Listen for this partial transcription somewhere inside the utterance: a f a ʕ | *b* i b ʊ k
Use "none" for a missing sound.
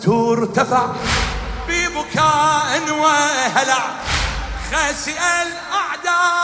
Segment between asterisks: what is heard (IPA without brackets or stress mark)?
b